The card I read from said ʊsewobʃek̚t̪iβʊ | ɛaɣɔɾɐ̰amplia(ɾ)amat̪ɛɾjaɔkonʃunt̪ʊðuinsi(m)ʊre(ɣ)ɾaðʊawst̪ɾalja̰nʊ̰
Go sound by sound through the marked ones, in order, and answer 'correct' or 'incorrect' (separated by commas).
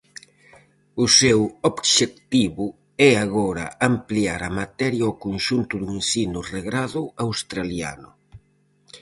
correct, incorrect, correct